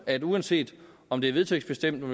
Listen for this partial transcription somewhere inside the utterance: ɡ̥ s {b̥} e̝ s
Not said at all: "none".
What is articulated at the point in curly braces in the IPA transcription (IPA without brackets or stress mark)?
b̥